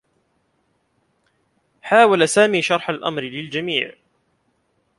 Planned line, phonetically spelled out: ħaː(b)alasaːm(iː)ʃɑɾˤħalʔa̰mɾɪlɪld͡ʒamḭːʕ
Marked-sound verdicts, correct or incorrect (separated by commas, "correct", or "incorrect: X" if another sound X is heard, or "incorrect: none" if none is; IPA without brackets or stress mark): incorrect: w, correct